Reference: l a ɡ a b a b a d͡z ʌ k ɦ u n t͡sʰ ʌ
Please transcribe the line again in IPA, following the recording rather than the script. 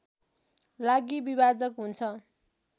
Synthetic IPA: l a ɡ i b i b a d͡z ʌ k ɦ u n t͡sʰ ʌ